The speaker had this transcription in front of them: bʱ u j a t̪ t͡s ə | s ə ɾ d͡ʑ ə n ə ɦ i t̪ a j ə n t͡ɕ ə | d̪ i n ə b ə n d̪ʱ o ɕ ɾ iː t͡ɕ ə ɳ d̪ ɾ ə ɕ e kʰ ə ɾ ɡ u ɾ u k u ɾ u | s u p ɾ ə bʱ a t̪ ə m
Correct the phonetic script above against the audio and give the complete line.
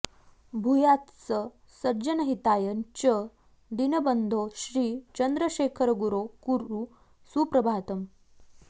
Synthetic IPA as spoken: bʱ u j a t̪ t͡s ə | s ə ɾ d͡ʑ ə n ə ɦ i t̪ a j ə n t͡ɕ ə | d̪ i n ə b ə n d̪ʱ o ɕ ɾ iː t͡ɕ ə n d̪ ɾ ə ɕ e kʰ ə ɾ ɡ u ɾ o k u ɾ u | s u p ɾ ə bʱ a t̪ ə m